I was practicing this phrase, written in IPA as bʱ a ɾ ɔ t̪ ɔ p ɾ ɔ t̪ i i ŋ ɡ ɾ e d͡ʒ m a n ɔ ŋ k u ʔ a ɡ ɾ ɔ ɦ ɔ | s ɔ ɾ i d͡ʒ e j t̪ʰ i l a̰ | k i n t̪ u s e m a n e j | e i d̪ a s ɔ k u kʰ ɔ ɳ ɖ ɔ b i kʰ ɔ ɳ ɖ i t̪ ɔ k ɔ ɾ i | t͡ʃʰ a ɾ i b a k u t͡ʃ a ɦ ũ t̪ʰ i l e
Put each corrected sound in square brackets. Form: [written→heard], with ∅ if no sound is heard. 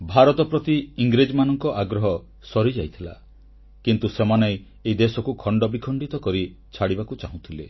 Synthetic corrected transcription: bʱ a ɾ ɔ t̪ ɔ p ɾ ɔ t̪ i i ŋ ɡ ɾ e d͡ʒ m a n ɔ ŋ k [u→ɔ] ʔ a ɡ ɾ ɔ ɦ ɔ | s ɔ ɾ i d͡ʒ [e→a] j t̪ʰ i l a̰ | k i n t̪ u s e m a n e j | e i d̪ [a→e] s ɔ k u kʰ ɔ ɳ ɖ ɔ b i kʰ ɔ ɳ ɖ i t̪ ɔ k ɔ ɾ i | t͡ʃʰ a [ɾ→ɽ] i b a k u t͡ʃ a ɦ ũ t̪ʰ i l e